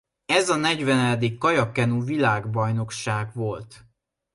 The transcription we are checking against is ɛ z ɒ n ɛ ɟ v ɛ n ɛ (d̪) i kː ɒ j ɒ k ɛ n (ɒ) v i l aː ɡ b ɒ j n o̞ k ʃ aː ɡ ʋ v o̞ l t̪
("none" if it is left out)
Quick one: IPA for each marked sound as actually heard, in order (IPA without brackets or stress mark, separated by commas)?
d̪, u